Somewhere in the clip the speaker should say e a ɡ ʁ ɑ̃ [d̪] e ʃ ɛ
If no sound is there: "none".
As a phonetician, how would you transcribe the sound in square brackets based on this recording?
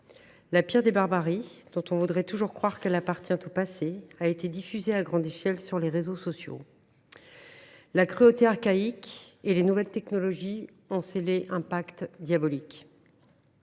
d̪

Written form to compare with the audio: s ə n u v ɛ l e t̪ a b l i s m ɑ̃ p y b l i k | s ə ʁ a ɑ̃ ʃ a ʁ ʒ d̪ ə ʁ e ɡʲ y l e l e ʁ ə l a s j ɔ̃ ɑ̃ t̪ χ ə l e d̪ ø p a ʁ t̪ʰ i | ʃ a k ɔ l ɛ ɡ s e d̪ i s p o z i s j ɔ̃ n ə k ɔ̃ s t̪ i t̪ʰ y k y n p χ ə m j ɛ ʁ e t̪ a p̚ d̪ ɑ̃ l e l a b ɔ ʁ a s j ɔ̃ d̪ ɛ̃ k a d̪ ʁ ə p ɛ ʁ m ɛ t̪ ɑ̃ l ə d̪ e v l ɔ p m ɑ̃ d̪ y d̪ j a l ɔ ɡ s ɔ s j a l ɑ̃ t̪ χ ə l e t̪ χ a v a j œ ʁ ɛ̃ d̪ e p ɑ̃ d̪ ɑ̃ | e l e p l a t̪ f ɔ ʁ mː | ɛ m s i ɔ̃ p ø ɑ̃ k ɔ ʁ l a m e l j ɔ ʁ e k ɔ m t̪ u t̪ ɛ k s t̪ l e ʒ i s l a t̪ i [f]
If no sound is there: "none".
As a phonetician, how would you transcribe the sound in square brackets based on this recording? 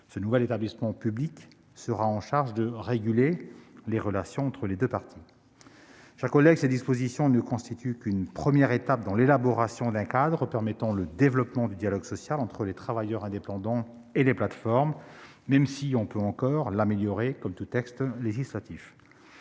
f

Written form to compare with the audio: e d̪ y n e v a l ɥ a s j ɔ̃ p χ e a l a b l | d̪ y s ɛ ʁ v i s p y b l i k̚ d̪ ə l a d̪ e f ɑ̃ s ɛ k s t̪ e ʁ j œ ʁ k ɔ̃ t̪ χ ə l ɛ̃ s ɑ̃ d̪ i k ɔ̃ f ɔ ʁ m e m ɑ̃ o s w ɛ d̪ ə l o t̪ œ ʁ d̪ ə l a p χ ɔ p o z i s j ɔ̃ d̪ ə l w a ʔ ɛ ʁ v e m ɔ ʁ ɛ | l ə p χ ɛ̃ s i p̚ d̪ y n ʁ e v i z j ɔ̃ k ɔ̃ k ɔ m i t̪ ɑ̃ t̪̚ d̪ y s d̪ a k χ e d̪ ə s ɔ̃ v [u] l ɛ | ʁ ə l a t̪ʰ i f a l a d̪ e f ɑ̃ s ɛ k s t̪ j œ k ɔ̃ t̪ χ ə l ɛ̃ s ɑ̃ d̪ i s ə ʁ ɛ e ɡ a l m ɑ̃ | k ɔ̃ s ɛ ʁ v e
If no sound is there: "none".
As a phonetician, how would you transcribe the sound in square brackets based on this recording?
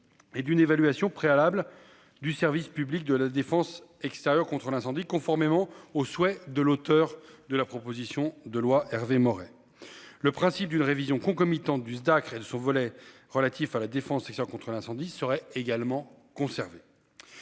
ɔ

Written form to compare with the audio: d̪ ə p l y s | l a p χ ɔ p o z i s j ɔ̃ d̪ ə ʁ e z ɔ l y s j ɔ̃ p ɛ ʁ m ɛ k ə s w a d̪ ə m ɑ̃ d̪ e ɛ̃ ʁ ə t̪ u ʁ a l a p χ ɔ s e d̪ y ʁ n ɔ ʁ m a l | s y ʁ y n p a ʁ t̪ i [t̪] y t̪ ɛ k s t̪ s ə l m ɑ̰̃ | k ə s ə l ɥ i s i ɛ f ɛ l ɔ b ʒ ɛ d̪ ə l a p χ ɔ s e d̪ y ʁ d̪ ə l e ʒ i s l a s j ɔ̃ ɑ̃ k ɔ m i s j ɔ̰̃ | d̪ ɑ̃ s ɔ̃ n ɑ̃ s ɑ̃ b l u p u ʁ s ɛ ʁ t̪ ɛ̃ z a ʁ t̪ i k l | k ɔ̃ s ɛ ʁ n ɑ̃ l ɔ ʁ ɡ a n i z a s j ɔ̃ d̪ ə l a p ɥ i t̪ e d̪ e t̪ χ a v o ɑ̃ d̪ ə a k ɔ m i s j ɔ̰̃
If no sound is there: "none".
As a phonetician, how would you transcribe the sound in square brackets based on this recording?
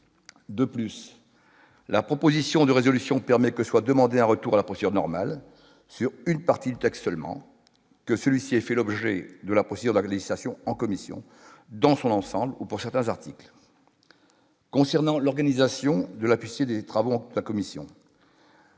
d̪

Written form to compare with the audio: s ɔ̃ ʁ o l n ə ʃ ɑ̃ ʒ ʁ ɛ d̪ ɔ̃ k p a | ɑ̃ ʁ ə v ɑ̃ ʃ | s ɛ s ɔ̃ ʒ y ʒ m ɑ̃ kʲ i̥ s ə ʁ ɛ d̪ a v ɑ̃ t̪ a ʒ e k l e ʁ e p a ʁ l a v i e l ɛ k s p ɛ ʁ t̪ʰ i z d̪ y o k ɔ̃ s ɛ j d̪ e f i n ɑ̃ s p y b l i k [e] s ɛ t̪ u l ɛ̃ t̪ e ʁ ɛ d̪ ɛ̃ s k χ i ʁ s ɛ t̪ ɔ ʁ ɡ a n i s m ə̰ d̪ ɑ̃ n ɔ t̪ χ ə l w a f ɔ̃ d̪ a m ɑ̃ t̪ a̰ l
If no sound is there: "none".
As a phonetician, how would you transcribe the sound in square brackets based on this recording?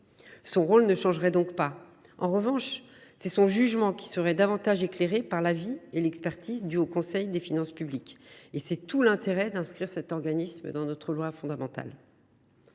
e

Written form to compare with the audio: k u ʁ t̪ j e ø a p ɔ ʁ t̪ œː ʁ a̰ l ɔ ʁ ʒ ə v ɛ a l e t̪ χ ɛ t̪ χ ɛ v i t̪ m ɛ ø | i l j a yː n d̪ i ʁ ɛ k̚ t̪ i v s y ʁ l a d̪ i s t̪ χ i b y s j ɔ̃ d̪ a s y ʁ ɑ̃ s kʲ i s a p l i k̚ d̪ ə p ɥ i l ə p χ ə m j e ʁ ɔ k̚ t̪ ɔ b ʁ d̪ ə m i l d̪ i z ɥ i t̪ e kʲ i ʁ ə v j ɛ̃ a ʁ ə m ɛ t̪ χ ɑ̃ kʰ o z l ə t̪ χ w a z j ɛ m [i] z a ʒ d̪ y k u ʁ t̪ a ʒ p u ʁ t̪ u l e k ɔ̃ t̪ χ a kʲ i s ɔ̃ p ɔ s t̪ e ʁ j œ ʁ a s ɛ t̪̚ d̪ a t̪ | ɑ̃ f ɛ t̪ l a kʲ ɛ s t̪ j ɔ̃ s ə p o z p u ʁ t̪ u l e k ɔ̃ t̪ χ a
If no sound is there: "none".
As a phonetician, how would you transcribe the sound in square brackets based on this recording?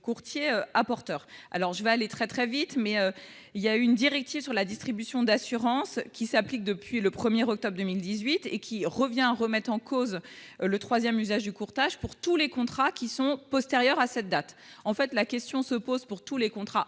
y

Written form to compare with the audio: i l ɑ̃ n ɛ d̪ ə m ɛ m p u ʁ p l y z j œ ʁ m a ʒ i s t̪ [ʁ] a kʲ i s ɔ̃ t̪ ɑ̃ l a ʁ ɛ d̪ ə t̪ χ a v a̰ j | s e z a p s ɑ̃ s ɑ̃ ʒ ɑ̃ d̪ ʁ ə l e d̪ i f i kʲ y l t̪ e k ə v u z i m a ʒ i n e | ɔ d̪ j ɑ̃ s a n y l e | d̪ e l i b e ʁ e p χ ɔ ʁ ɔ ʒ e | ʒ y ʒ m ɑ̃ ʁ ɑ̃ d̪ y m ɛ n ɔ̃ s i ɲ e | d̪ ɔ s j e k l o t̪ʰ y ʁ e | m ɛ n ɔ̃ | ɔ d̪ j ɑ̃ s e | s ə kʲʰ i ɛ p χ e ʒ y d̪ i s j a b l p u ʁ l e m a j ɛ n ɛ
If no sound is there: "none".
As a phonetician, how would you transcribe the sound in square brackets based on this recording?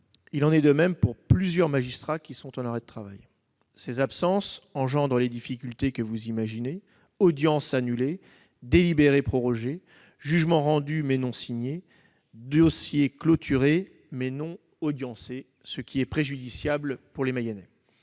χ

